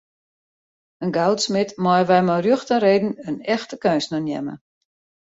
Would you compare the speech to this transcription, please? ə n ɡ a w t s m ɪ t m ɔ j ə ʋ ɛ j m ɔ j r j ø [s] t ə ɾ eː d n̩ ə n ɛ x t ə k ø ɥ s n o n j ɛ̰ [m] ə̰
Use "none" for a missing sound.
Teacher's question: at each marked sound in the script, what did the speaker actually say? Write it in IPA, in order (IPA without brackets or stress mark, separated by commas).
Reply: x, m